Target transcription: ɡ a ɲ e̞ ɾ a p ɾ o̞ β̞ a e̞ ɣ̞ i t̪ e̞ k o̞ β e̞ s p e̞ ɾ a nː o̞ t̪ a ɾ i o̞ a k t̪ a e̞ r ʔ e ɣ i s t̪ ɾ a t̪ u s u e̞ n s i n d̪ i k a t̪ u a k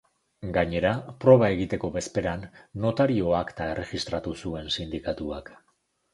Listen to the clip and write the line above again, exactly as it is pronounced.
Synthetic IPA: ɡ a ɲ e̞ ɾ a p ɾ o̞ β̞ a e̞ ɣ̞ i t̪ e̞ k o̞ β e̞ s p e̞ ɾ a nː o̞ t̪ a ɾ i o̞ a k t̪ a e̞ r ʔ e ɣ i s t̪ ɾ a t̪ u s u e̞ n s i n d̪ i k a t̪ u a k